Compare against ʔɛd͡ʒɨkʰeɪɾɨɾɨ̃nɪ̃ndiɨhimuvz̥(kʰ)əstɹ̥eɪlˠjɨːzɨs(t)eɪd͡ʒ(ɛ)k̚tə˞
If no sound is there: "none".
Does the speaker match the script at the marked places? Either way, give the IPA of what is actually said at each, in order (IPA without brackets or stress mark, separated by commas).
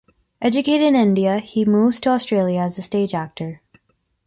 tʰ, t, æ